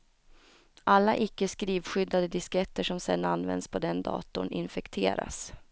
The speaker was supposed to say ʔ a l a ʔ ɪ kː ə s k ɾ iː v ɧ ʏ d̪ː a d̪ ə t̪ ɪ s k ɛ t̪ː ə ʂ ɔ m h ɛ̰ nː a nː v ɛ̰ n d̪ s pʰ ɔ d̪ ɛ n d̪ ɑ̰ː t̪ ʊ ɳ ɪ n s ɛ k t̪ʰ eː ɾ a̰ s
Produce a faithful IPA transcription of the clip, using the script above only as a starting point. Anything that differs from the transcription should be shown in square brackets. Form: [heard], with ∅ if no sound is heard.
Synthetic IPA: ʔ a [lː] a ʔ ɪ kː ə s k ɾ iː v ɧ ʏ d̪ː a d̪ ə [d̪] ɪ s k ɛ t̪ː ə ʂ ɔ m [s] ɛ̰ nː a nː v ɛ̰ n d̪ s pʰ ɔ d̪ ɛ n d̪ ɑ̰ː t̪ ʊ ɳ ɪ n [f] ɛ k t̪ʰ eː ɾ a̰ s

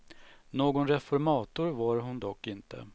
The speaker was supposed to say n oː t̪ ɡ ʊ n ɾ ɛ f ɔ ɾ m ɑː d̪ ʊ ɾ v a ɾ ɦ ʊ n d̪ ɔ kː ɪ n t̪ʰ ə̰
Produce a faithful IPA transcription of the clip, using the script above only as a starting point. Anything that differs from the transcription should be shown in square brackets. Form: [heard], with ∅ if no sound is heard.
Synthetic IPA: n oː [∅] ɡ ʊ n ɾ ɛ f ɔ ɾ m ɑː [t̪] ʊ ɾ v a ɾ ɦ ʊ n d̪ ɔ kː ɪ n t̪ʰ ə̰

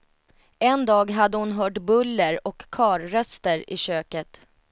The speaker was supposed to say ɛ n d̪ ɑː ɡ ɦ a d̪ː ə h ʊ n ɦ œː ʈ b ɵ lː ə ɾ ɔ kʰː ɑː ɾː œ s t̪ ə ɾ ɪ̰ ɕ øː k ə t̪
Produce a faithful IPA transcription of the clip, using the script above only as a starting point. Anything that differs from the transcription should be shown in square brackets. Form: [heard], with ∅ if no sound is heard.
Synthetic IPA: ɛ n d̪ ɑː ɡ ɦ a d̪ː ə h ʊ n ɦ œː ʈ b ɵ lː ə ɾ ɔ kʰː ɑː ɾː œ s t̪ ə ɾ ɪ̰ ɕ øː k ə t̪

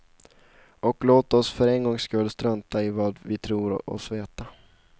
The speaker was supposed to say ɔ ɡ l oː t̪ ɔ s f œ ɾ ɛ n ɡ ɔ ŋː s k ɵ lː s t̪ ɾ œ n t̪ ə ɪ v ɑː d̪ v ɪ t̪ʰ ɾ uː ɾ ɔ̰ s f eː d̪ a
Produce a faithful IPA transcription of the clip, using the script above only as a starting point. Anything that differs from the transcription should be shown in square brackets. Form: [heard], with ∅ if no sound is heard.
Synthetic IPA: ɔ [k] l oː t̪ ɔ s f œ ɾ ɛ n ɡ ɔ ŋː s k ɵ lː s t̪ ɾ œ n t̪ [a] ɪ v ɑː d̪ v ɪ t̪ʰ ɾ uː ɾ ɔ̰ s [v] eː [t̪] a

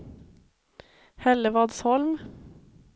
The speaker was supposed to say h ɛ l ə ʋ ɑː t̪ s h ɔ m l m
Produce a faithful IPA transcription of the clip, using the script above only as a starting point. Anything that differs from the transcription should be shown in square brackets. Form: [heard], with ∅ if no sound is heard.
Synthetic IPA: h ɛ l ə ʋ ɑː [d̪] s h ɔ [∅] l m

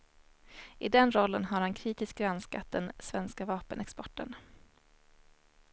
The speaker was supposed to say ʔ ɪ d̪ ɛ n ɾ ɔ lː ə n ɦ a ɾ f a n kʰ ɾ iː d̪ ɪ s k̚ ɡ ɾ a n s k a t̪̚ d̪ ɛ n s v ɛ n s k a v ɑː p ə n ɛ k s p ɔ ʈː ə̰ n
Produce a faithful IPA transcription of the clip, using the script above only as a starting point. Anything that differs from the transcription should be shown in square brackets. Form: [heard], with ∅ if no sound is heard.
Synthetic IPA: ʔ ɪ d̪ ɛ n ɾ ɔ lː ə n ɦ a ɾ [h] a n kʰ ɾ iː [t̪] ɪ s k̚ ɡ ɾ a n s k a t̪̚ d̪ ɛ n s v ɛ n s k a v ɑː p ə n ɛ k s p ɔ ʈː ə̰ n

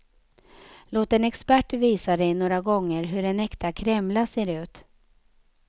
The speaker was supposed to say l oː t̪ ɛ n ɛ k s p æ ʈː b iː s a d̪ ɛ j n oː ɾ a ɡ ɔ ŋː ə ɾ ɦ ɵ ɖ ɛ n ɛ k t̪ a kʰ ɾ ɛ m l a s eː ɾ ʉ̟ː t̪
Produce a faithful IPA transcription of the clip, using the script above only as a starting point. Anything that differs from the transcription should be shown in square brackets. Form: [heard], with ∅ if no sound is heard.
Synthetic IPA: l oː t̪ ɛ n ɛ k s p æ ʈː [v] iː s a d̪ ɛ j n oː ɾ a ɡ ɔ ŋː ə ɾ ɦ ɵ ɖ ɛ n ɛ k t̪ a kʰ ɾ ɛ m l a s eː ɾ ʉ̟ː t̪

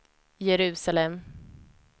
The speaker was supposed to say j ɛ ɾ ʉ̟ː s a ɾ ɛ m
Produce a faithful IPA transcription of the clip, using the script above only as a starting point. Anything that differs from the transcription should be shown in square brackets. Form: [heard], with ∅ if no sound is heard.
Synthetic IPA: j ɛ ɾ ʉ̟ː s a [l] ɛ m

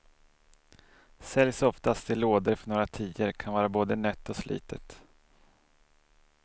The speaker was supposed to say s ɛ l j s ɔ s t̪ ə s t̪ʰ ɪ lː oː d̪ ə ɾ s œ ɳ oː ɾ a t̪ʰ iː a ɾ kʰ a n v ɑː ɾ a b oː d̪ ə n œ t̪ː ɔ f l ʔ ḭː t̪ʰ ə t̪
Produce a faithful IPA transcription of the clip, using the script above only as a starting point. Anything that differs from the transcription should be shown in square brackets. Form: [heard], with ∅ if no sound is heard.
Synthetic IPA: s ɛ l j s ɔ [f] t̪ [a] s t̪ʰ ɪ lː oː d̪ ə ɾ [f] œ ɳ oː ɾ a t̪ʰ iː [ə] ɾ kʰ a n v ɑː ɾ a b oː d̪ ə n œ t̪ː ɔ [s] l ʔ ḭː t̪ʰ ə t̪

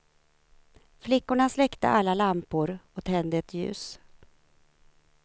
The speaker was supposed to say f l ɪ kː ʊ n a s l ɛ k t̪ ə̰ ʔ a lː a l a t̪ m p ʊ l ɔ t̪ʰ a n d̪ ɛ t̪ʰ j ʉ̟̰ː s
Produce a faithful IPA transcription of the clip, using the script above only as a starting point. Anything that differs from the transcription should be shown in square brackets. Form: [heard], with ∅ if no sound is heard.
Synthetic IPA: f l ɪ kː ʊ [ɳ] a s l ɛ k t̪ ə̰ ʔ a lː a l a [∅] m p ʊ [ɾ] ɔ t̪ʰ [ɛ] n d̪ ɛ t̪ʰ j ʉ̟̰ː s

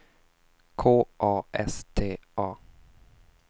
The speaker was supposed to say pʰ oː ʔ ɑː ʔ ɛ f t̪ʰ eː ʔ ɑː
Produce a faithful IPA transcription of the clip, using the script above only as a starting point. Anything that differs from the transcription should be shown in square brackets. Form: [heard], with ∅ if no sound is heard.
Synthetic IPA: [kʰ] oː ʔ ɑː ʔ ɛ [s] t̪ʰ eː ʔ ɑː

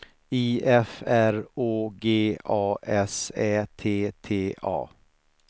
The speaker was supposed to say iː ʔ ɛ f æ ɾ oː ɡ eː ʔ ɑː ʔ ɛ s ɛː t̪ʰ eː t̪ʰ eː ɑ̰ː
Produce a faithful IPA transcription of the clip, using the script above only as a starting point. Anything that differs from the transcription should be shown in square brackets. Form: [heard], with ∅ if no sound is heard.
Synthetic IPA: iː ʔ ɛ f æ ɾ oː ɡ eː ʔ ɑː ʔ ɛ s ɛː t̪ʰ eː t̪ʰ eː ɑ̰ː

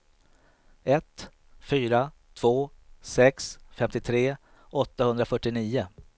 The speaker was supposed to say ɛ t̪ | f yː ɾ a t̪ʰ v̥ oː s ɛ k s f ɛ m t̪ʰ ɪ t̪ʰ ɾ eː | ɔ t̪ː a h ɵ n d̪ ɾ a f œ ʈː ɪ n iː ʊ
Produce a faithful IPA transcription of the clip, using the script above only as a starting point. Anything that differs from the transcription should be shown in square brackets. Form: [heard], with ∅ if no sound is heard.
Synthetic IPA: ɛ t̪ | f yː ɾ a t̪ʰ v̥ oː s ɛ k s f ɛ m [t̪] ɪ t̪ʰ ɾ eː | ɔ t̪ː a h ɵ n d̪ ɾ a f œ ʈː ɪ n iː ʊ

